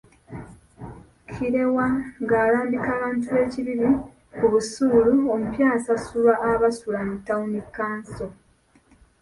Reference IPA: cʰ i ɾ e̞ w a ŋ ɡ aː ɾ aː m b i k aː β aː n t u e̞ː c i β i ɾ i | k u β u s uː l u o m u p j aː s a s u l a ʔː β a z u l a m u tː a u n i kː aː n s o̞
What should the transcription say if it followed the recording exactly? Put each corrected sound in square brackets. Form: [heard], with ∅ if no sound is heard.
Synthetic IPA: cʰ i ɾ e̞ w a ŋ ɡ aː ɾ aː m b i k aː β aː n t u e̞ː c i β i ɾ i | k u β u s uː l u o m u p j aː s a s u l a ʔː β a [s] u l a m u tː a u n i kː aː n s o̞